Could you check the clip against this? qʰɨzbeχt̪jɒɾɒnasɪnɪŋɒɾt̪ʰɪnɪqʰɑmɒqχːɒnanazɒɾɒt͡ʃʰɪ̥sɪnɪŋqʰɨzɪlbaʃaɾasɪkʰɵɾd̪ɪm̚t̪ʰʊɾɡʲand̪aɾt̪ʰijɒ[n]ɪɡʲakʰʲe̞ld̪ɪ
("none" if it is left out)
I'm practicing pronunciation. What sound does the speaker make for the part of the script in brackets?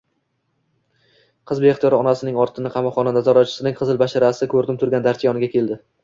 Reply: n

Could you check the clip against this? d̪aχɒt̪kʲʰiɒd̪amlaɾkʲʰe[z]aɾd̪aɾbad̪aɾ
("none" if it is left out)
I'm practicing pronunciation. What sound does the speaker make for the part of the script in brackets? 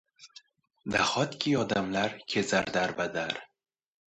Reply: z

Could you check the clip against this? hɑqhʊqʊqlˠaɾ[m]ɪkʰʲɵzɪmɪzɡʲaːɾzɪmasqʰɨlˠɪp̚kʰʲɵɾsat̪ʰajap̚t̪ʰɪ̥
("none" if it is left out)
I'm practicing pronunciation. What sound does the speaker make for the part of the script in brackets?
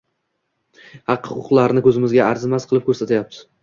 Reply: n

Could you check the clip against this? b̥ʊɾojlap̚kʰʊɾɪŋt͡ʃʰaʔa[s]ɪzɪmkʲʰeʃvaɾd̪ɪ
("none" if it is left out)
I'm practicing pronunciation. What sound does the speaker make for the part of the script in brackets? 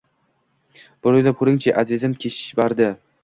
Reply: z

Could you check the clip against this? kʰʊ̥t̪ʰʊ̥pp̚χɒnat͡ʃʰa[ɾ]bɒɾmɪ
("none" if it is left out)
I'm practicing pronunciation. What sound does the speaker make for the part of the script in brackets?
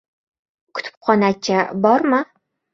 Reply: none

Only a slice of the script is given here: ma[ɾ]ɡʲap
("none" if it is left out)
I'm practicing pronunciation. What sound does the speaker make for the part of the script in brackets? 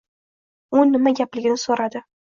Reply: none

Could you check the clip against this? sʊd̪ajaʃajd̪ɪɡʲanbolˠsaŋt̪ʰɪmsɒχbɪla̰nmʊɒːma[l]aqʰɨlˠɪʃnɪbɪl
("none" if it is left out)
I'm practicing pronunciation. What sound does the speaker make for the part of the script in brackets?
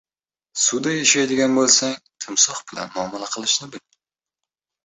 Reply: l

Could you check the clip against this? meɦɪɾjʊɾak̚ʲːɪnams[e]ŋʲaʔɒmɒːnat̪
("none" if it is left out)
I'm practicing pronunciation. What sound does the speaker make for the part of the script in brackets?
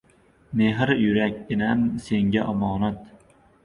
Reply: e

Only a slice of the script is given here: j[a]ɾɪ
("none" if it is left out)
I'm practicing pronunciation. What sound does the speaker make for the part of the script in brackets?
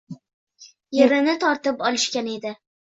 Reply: e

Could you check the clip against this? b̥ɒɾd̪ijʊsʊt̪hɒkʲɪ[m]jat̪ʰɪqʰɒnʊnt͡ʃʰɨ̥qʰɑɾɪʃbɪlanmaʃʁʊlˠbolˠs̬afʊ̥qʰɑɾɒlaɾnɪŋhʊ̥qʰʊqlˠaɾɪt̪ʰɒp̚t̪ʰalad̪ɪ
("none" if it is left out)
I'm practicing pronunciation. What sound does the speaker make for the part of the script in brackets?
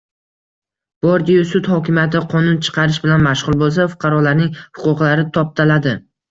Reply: m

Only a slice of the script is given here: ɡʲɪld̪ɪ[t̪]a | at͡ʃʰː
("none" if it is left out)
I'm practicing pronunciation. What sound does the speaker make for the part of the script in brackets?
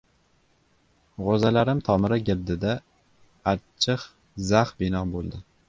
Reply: d̪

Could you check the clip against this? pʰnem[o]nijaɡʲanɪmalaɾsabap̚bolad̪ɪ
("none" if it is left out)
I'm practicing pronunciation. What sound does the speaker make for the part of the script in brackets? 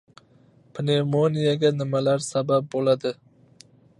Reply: o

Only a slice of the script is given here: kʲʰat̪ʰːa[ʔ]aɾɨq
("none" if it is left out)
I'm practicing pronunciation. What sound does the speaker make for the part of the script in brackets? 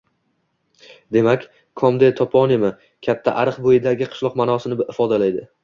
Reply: ʔ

